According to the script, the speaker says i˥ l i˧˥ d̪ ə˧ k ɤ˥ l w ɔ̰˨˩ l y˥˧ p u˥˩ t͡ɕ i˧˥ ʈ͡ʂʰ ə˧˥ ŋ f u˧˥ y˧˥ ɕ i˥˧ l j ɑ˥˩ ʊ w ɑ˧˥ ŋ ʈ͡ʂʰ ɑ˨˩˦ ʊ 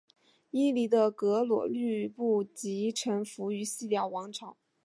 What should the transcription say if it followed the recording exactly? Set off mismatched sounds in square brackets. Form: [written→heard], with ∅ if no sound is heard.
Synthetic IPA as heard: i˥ l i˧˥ d̪ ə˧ k [ɤ˥→ɤ˧˥] l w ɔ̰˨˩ l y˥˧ p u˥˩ t͡ɕ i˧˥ ʈ͡ʂʰ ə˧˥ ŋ f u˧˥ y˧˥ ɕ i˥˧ l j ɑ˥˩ ʊ w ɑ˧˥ ŋ ʈ͡ʂʰ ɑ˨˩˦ ʊ